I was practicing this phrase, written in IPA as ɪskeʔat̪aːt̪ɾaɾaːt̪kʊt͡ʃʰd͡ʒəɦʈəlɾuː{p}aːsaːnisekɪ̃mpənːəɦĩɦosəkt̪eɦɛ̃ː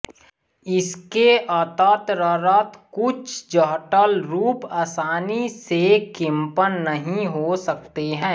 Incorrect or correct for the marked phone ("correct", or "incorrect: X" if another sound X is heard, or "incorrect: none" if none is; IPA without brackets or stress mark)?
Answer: correct